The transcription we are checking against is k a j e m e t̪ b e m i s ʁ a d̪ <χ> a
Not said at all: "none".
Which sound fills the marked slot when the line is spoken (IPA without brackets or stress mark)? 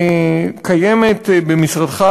χ